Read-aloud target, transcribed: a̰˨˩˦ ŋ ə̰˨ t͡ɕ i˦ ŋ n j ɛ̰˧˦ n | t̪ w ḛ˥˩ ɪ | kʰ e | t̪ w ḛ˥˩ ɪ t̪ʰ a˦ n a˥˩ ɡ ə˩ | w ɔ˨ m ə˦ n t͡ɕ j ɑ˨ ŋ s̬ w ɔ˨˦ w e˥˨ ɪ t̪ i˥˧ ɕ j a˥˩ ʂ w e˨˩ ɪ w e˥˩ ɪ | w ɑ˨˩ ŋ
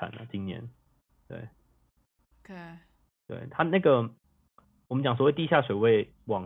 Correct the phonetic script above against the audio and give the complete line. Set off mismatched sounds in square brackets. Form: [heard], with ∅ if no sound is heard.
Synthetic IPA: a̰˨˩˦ [n] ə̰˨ t͡ɕ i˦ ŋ n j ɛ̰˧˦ n | t̪ w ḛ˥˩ ɪ | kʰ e | t̪ w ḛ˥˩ ɪ t̪ʰ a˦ n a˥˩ ɡ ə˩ | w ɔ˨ m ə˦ n t͡ɕ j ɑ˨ ŋ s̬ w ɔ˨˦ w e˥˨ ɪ t̪ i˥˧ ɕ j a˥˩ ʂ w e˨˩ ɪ w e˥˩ ɪ | w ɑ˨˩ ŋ